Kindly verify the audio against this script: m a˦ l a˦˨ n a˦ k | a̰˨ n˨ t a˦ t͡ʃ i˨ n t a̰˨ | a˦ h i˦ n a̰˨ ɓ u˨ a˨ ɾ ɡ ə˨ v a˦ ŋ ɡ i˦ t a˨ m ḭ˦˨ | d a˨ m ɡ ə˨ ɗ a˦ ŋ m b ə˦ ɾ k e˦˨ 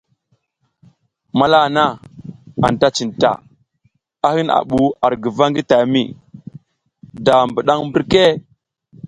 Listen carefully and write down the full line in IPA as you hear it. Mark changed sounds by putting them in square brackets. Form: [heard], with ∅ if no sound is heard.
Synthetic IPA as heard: m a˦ l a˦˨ n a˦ [∅] | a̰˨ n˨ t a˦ t͡ʃ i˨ n t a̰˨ | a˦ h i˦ n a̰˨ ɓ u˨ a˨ ɾ ɡ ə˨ v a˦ ŋ ɡ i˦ t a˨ m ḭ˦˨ | d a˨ m [b] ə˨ ɗ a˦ ŋ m b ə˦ ɾ k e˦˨